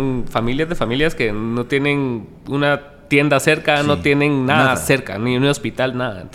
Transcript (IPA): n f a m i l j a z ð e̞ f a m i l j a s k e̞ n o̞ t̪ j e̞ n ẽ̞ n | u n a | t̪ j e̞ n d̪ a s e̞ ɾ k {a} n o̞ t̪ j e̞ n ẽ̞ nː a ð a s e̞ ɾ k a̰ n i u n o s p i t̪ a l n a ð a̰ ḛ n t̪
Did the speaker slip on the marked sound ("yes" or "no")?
no